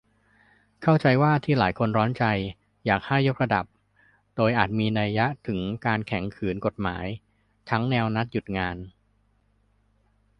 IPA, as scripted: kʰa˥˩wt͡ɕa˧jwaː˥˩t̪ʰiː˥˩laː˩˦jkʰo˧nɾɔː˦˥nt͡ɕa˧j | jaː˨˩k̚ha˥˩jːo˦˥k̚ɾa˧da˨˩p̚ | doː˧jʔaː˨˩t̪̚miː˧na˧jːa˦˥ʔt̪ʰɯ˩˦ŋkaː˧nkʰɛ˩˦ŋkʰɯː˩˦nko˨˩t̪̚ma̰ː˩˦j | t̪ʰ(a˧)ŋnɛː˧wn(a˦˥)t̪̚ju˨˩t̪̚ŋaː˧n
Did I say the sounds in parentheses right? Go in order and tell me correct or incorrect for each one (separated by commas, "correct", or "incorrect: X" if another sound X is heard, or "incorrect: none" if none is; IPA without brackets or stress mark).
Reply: incorrect: a˦˥, correct